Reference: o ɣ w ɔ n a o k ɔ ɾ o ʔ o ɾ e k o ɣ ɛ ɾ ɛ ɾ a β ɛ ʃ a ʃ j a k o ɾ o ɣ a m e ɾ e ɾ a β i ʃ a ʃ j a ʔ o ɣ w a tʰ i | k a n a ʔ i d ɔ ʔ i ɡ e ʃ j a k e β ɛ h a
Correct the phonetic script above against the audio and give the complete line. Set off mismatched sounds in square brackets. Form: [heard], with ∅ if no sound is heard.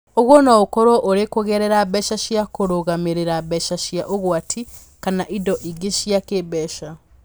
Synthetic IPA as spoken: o ɣ w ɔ n a o k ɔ ɾ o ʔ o ɾ e k o ɣ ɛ ɾ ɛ ɾ a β ɛ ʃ a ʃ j a k o ɾ o ɣ a m e ɾ e ɾ a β [ɛ] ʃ a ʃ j a ʔ o ɣ w a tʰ i | k a n a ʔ i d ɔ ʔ i ɡ e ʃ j a k e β ɛ [ʃ] a